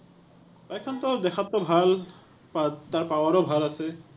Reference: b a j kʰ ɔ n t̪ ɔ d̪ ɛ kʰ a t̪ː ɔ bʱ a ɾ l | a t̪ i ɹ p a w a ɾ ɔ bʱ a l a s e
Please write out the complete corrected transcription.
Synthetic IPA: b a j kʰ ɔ n t̪ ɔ d̪ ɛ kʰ a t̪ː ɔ bʱ a l | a t̪ a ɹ p a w a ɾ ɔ bʱ a l a s e